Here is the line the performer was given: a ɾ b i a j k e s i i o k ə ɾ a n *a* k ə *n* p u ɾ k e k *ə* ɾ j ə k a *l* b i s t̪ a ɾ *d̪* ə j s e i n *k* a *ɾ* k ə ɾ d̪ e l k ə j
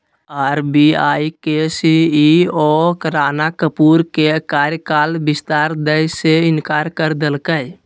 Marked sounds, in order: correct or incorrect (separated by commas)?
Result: correct, incorrect, incorrect, correct, correct, correct, correct